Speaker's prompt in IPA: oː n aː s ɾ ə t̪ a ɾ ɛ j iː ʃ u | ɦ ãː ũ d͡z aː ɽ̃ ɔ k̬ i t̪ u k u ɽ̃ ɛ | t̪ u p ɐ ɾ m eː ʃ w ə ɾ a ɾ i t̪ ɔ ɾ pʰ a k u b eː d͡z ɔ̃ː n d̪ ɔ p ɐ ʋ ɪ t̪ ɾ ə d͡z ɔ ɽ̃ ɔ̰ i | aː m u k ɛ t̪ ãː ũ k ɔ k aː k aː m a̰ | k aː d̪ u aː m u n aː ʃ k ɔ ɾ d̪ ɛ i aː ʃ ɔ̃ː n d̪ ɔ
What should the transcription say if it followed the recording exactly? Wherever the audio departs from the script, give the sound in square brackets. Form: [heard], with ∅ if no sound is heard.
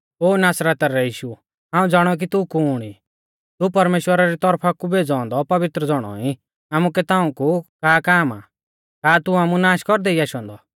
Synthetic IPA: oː n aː s ɾ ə t̪ a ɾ ɛ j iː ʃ u | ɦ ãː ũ d͡z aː ɽ̃ ɔ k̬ i t̪ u k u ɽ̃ [i] | t̪ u p ɐ ɾ m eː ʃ w ə ɾ a ɾ i t̪ ɔ ɾ pʰ a k u b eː d͡z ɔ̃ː n d̪ ɔ p ɐ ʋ ɪ t̪ ɾ ə d͡z ɔ ɽ̃ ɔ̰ i | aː m u k ɛ t̪ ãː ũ k [u] k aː k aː m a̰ | k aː [t̪] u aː m u n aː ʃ k ɔ ɾ d̪ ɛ i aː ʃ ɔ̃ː n d̪ ɔ